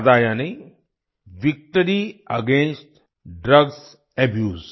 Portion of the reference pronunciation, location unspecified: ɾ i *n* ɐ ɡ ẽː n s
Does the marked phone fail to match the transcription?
yes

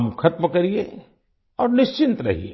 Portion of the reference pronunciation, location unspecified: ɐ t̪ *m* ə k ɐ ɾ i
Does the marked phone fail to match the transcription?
no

